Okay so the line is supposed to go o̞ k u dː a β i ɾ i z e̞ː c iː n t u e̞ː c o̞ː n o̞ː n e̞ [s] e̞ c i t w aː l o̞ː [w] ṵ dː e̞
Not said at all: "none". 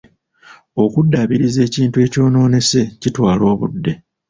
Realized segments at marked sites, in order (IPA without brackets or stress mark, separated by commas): s, β